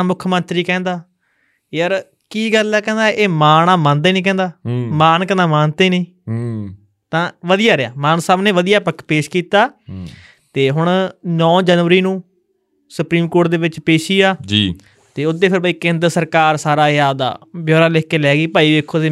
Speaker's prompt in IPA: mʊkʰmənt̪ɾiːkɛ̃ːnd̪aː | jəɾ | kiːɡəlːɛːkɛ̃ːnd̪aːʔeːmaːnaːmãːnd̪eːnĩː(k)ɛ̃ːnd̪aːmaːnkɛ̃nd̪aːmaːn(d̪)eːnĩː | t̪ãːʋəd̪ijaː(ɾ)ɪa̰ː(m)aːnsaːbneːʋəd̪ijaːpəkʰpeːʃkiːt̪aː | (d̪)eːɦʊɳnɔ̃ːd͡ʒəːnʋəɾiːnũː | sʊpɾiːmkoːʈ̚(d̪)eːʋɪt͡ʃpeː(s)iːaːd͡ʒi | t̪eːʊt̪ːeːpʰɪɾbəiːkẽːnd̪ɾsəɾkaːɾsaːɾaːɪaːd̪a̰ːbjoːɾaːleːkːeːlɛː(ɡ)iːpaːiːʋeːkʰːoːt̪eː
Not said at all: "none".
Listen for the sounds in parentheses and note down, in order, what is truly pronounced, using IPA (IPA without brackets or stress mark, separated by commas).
k, t̪, ɾ, m, t̪, d̪, ʃ, ɡ